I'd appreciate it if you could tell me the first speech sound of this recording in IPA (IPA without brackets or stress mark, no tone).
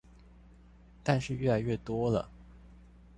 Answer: t̪